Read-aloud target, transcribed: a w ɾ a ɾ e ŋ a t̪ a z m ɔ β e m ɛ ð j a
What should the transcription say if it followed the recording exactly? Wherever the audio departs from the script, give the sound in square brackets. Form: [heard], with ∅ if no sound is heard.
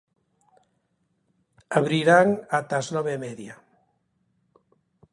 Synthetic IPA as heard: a [β] ɾ [i] ɾ [a] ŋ a t̪ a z [n] ɔ β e m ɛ ð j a